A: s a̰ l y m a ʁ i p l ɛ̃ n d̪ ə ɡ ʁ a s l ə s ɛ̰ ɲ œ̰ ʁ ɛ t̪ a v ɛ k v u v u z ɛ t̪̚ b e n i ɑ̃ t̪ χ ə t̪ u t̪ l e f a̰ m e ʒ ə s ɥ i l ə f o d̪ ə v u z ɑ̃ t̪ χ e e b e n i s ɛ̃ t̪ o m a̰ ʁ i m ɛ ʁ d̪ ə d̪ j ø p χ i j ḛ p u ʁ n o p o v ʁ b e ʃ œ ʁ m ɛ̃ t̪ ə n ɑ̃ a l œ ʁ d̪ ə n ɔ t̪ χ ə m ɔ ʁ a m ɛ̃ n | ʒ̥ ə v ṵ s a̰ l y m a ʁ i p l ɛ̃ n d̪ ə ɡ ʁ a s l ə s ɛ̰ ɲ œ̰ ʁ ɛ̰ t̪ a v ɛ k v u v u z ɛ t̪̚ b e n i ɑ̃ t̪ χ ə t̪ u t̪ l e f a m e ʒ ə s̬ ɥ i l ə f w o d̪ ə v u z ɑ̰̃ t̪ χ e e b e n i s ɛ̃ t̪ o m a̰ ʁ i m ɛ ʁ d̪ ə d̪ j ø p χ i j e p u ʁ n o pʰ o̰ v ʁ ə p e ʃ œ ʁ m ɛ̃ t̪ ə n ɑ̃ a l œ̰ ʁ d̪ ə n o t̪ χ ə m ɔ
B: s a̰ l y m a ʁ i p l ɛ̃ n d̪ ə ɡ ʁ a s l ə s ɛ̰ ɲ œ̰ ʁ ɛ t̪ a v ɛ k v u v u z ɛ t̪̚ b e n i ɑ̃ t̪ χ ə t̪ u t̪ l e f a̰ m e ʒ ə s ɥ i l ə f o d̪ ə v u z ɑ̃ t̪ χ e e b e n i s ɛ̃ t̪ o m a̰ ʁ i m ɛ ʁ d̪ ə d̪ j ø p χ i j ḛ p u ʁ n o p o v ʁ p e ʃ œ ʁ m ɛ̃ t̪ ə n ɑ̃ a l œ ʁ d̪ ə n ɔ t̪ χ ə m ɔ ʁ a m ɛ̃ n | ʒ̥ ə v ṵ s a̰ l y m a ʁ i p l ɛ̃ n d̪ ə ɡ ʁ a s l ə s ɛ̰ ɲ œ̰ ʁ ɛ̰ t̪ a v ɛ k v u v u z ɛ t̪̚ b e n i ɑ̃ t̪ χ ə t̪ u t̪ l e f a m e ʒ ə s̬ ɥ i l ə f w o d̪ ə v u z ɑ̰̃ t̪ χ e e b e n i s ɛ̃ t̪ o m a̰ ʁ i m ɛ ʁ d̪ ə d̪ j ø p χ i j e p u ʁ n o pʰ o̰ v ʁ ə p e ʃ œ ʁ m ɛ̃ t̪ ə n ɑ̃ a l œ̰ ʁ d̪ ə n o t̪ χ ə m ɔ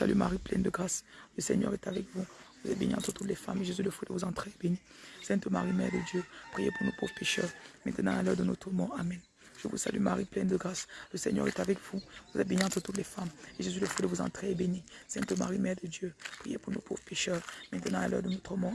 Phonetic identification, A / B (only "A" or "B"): B